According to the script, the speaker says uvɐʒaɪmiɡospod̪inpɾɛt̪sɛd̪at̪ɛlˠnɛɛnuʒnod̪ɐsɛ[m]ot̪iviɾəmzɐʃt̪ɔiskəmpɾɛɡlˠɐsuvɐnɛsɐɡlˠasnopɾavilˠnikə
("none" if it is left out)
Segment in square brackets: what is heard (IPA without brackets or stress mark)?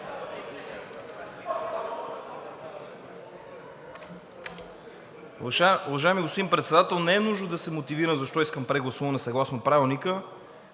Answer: m